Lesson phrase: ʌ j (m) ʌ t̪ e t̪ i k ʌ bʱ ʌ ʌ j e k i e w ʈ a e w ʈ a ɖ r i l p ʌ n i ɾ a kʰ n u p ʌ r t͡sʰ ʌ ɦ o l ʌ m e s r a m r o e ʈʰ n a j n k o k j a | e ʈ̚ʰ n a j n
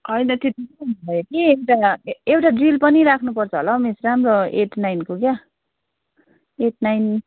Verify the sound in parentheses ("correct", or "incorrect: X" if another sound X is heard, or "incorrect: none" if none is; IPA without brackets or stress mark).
incorrect: n